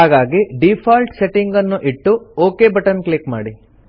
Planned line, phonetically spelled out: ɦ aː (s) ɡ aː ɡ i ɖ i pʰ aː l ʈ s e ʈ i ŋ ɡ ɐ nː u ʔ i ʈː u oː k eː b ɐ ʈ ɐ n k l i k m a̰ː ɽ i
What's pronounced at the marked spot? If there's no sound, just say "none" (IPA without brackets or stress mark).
none